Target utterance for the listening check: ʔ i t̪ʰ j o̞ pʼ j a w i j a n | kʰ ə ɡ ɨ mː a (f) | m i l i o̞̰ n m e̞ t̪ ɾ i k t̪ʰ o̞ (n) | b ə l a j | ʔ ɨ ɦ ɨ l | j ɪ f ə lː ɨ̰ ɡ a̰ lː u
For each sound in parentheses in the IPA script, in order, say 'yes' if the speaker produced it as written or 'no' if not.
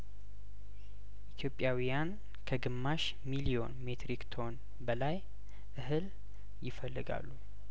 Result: no, yes

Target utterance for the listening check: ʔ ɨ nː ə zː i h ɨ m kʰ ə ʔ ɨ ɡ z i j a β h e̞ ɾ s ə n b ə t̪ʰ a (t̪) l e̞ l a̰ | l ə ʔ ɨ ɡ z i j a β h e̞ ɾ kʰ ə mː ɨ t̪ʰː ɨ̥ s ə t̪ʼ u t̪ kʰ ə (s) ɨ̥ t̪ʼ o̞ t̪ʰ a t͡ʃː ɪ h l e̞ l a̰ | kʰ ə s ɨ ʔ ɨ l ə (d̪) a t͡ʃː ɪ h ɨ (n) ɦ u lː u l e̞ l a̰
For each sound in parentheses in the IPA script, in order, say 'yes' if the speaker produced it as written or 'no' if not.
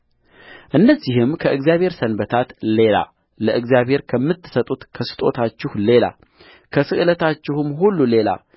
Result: yes, yes, no, no

